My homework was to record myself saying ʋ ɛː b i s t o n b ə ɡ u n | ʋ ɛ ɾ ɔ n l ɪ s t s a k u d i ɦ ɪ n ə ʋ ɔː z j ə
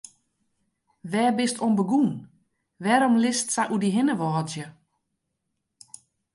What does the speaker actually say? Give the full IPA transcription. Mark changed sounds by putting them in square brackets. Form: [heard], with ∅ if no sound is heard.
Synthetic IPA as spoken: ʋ ɛː b [ɪ] s t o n b ə ɡ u n | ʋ ɛ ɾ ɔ [m] l ɪ s t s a [ʔ] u d i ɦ ɪ n ə ʋ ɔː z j ə